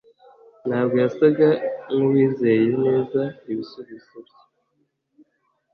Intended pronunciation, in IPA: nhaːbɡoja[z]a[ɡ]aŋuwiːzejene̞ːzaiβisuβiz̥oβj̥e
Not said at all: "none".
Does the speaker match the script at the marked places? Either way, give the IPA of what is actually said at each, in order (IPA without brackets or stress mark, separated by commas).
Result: s, ɡ